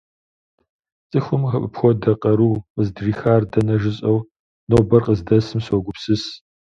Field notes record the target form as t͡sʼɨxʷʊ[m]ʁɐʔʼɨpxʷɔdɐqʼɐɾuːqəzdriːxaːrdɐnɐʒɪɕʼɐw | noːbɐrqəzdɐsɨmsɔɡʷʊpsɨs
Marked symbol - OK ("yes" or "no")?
yes